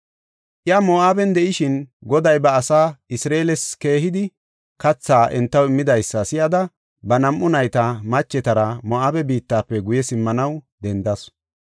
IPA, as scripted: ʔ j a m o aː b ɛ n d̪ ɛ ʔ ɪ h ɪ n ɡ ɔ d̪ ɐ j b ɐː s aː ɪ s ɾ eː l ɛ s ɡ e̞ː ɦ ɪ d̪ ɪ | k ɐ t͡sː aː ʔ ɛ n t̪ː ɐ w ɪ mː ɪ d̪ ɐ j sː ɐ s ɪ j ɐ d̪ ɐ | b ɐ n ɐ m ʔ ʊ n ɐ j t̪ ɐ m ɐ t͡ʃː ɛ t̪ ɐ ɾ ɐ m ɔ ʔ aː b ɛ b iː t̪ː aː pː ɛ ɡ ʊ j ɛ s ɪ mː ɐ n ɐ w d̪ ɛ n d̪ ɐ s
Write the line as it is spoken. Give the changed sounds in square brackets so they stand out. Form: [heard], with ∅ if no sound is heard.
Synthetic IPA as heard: ʔ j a m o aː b ɛ n d̪ ɛ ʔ ɪ [ʃ] ɪ n ɡ ɔ d̪ ɐ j b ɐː s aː ɪ s ɾ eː l ɛ s [k] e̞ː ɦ ɪ d̪ ɪ | k ɐ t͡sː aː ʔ ɛ n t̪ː ɐ w ɪ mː ɪ d̪ ɐ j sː ɐ s ɪ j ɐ d̪ ɐ | b ɐ n ɐ m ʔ ʊ n ɐ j t̪ ɐ m ɐ t͡ʃː ɛ t̪ ɐ ɾ ɐ m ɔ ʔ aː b ɛ b iː t̪ː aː pː ɛ ɡ ʊ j ɛ s ɪ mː ɐ n ɐ w d̪ ɛ n d̪ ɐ s